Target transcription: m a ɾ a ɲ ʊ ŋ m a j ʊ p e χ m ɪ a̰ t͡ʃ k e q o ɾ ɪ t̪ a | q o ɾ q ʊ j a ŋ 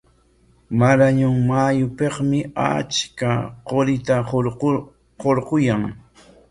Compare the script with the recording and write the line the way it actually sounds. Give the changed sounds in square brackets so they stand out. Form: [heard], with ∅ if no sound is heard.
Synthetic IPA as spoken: m a ɾ a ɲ ʊ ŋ m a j ʊ p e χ m ɪ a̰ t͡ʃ k [a] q o ɾ ɪ t̪ a | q o ɾ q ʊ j a ŋ